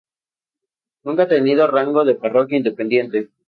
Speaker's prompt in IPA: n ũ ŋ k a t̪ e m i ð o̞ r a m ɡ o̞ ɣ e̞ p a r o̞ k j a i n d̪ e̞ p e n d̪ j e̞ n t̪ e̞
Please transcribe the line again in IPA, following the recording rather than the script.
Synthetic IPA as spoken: n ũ ŋ k a t̪ e n i ð o̞ r a ŋ ɡ o̞ ð e̞ p a r o̞ k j a i n d̪ e̞ p e n d̪ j e̞ n t̪ e̞